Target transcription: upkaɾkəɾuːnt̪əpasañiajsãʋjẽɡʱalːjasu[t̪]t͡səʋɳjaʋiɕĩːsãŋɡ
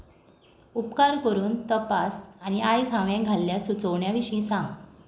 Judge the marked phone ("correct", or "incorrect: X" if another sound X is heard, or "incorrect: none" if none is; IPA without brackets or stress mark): incorrect: none